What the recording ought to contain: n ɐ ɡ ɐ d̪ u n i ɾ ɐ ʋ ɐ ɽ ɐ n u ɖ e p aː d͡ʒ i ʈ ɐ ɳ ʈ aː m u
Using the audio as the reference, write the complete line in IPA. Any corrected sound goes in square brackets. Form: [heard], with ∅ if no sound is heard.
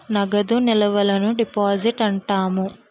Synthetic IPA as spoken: n ɐ ɡ ɐ d̪ u n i [l] ɐ ʋ ɐ [l] ɐ n u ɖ [i] p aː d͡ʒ i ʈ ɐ ɳ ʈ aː m u